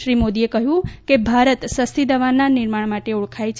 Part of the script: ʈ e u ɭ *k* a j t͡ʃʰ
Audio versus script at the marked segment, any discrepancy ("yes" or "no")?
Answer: yes